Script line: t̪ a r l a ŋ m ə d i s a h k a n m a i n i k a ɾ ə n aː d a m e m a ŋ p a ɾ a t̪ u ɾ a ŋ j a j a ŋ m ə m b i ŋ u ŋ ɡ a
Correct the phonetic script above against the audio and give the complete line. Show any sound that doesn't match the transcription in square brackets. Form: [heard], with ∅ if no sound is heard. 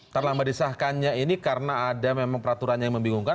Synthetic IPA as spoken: t̪ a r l a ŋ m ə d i s a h k a n [ɲ] a i n i k a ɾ ə n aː d a m e m a ŋ p [ə] ɾ a t̪ u ɾ a [n] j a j a ŋ m ə m b i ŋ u ŋ [k] a